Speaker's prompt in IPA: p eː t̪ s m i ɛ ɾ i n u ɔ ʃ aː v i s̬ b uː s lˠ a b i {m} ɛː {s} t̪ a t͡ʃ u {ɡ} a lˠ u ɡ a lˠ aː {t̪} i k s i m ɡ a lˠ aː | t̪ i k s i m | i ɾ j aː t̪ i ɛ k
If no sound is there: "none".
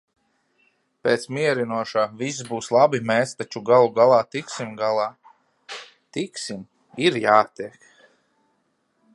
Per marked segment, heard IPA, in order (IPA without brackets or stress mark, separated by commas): m, s, ɡ, t̪